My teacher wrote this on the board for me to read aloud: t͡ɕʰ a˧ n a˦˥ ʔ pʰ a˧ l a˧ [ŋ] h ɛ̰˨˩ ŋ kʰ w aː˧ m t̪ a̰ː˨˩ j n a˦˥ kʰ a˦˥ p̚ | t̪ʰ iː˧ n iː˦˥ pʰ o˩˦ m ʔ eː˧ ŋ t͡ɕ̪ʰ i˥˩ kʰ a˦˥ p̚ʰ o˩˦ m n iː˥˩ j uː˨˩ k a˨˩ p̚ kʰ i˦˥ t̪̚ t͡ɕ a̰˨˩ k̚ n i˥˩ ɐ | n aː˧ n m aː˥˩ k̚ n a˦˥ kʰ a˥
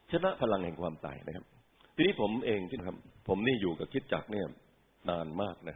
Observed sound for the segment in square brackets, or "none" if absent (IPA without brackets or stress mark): ŋ